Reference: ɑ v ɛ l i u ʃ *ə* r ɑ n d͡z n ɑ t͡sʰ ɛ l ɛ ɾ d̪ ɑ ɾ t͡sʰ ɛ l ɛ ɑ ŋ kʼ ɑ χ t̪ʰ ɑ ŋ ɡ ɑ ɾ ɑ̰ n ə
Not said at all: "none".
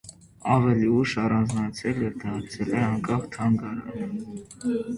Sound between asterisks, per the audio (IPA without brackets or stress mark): ɑ